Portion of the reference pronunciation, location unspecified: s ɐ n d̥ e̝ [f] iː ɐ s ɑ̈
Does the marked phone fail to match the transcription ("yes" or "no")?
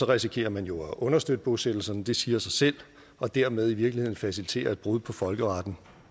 yes